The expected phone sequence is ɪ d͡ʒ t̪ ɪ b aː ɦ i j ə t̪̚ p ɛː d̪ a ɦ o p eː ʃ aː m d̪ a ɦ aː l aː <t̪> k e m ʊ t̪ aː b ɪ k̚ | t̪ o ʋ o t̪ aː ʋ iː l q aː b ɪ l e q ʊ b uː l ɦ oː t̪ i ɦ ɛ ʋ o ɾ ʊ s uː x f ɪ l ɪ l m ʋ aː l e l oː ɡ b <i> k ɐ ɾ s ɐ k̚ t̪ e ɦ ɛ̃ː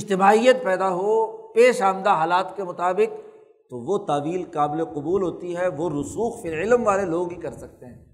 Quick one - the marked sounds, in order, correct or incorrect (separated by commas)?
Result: correct, correct